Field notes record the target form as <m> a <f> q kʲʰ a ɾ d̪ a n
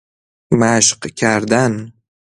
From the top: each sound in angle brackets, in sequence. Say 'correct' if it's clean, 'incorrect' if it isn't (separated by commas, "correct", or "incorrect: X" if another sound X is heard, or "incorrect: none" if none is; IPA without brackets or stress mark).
correct, incorrect: ʃ